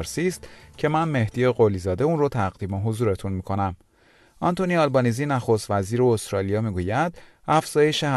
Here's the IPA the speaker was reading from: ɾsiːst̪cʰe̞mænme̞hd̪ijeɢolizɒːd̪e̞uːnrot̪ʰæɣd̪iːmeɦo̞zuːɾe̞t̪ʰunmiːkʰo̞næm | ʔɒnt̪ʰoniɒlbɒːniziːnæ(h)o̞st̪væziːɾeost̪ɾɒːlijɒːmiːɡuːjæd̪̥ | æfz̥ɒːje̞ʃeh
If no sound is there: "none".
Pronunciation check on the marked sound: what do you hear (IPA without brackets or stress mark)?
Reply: x